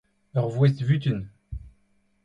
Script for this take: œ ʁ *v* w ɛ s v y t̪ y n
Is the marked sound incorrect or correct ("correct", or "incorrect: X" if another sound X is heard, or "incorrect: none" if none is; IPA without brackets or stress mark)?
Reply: correct